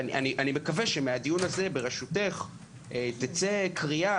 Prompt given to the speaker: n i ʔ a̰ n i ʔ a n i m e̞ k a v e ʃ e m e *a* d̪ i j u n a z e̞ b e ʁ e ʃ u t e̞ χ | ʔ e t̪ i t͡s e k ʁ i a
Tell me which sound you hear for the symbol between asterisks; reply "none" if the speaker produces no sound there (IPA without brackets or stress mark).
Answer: a